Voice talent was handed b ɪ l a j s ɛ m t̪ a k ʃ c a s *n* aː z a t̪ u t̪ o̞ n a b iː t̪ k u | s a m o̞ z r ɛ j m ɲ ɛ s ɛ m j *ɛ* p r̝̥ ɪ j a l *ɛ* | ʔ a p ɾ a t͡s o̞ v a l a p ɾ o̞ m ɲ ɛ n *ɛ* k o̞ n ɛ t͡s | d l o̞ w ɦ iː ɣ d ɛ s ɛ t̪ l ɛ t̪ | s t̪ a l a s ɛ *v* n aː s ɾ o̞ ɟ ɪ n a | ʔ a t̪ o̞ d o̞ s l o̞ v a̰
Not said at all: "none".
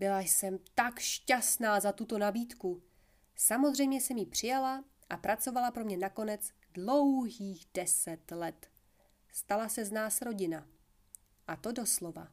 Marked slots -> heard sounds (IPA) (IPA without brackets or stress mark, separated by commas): n, i, a, a, z